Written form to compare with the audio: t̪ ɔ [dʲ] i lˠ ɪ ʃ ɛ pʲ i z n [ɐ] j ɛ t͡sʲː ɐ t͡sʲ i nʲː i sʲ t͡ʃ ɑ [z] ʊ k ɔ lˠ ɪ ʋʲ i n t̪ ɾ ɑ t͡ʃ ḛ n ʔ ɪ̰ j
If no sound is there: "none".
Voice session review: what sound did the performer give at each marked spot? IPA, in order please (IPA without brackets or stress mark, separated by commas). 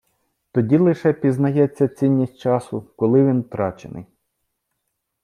dʲ, ɐ, s